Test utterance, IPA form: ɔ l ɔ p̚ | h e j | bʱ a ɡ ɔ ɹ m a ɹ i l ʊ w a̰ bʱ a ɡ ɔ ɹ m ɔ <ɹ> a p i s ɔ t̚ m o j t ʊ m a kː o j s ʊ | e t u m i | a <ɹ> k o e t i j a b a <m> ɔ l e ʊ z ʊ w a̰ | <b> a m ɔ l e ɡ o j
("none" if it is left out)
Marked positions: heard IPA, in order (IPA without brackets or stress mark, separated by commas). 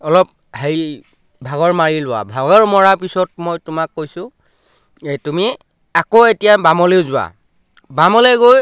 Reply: ɹ, none, m, b